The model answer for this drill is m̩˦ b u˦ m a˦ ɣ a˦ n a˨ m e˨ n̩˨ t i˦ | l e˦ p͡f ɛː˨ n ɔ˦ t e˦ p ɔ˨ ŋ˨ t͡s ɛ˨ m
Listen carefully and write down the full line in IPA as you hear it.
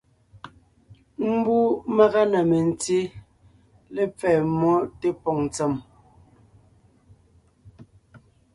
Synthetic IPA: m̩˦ b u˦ m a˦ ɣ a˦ n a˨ m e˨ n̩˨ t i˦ | l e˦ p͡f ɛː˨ m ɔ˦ t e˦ p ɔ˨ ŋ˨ t͡s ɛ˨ m

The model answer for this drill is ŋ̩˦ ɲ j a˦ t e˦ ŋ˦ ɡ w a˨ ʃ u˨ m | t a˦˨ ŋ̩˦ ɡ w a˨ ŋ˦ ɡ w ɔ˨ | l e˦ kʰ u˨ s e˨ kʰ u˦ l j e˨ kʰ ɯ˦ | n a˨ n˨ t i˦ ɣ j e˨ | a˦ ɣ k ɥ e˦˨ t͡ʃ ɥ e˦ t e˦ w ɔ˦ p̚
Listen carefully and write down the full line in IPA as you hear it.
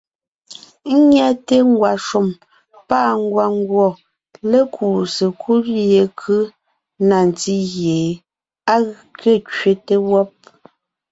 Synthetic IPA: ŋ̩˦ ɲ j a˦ t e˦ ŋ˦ ɡ w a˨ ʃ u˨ m | p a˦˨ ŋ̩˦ ɡ w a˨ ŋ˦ ɡ w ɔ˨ | l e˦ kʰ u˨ s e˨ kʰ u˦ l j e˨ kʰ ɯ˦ | n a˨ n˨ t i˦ ɣ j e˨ | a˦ ɣ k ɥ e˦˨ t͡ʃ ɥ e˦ t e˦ w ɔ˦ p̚

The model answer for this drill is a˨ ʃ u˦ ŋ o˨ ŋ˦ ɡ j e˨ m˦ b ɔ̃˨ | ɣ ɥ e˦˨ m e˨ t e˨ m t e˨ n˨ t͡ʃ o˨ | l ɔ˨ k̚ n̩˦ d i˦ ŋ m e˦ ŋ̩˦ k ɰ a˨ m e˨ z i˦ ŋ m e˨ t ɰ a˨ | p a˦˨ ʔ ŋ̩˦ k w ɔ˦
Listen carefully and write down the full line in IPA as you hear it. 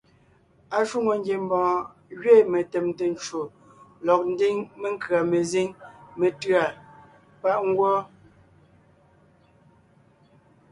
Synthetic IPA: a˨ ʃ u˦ ŋ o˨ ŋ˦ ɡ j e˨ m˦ b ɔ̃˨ | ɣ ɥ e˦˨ m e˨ t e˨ m t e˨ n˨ t͡ʃ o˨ | l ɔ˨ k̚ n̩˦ d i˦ ŋ m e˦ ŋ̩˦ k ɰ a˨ m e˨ z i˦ ŋ m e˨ t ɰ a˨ | p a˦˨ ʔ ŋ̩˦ ɡ w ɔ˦

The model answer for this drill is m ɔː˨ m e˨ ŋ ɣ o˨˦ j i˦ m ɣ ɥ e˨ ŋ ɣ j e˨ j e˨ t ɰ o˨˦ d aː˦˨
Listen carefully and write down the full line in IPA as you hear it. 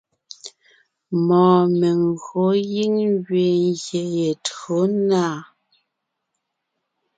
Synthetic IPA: m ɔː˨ m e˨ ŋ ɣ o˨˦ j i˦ ŋ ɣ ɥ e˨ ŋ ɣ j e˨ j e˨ t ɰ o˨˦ n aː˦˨

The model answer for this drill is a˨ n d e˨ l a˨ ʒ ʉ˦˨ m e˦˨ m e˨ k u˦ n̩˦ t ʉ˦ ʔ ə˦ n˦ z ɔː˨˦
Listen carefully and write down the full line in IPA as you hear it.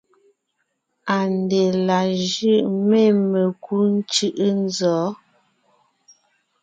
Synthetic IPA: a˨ n d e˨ l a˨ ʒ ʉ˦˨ m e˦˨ m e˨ k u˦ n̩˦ t͡ʃ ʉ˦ ʔ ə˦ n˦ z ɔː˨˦

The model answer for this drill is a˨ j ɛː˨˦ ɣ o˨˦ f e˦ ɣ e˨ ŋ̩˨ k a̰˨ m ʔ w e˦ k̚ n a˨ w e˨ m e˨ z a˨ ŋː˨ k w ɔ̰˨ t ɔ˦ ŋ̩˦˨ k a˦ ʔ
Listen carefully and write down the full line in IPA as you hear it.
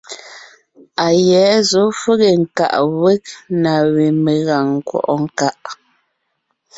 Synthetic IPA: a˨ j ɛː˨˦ z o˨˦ f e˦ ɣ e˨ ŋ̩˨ k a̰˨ ʔ w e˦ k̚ n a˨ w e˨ m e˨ ɣ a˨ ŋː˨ k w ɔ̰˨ ʔ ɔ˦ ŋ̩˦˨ k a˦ ʔ

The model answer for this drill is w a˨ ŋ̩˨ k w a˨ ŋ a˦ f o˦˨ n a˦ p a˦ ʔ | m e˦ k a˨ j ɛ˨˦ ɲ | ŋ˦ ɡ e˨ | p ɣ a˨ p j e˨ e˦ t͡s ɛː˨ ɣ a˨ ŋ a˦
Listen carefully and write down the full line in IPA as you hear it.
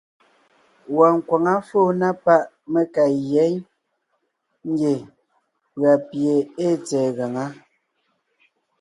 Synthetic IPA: w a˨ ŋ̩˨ k w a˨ ŋ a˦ f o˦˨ n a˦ p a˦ ʔ | m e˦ k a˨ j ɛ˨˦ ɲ | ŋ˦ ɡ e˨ | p ɣ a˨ p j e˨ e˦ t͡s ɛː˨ ɣ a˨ ŋ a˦

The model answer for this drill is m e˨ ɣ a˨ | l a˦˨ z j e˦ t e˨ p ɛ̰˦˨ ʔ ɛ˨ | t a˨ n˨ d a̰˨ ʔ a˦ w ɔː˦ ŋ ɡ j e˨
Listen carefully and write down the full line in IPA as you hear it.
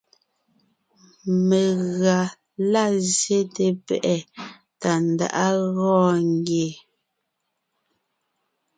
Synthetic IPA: m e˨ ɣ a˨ | l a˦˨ z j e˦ t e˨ p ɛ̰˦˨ ʔ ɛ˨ | t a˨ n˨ d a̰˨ ʔ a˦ ɣ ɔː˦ ŋ ɡ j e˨

